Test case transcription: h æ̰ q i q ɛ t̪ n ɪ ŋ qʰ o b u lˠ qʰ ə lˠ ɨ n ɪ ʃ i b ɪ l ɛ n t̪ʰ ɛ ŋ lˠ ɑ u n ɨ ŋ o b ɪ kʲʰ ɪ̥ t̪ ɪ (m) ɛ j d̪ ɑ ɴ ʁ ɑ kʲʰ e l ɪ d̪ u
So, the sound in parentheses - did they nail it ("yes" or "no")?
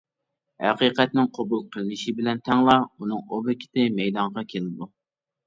yes